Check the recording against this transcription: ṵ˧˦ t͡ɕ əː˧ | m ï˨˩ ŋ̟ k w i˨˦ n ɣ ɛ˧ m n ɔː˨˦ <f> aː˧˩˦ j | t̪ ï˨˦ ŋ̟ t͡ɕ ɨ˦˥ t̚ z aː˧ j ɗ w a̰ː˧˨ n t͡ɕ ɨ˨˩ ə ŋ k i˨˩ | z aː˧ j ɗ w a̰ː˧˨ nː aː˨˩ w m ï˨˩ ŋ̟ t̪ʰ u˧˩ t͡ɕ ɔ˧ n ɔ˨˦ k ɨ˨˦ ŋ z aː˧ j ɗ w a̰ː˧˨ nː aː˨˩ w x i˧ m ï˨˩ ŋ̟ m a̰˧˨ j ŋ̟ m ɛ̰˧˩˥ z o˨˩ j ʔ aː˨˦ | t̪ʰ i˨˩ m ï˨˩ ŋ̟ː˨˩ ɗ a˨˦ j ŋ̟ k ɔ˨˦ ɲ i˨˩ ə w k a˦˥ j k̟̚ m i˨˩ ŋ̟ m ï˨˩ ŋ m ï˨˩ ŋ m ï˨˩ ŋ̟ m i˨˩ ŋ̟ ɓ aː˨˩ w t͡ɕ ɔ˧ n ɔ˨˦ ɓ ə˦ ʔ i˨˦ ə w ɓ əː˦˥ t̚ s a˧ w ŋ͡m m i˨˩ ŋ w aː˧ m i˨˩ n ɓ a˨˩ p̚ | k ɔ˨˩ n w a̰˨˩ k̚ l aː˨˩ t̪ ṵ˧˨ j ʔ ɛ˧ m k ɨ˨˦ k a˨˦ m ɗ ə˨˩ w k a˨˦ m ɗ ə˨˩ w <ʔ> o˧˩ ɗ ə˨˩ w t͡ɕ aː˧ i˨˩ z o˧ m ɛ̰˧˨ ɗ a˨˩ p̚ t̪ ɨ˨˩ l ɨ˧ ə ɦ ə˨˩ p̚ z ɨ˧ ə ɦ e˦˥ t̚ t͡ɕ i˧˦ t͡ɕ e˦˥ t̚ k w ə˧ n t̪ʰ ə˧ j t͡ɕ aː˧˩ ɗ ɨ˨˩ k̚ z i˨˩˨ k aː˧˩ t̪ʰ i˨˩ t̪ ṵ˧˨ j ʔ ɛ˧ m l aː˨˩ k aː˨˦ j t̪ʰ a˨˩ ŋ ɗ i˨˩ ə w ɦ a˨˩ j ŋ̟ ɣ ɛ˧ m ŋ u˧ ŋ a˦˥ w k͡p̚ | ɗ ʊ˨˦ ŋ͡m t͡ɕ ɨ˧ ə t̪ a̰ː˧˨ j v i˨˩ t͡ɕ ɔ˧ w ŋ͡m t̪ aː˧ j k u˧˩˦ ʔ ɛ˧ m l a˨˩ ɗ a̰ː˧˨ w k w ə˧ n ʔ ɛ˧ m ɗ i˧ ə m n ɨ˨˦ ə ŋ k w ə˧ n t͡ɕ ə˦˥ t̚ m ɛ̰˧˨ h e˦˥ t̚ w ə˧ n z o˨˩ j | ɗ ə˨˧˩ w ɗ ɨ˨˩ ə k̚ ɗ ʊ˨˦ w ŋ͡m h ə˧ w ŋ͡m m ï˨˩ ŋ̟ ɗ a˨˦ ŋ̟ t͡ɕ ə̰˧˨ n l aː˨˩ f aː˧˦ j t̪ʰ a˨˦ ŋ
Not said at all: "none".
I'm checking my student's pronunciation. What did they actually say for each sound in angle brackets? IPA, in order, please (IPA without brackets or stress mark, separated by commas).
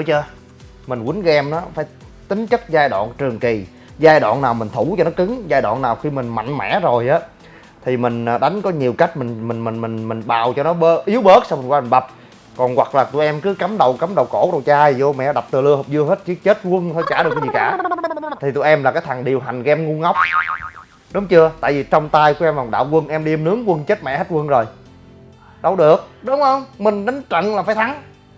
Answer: f, k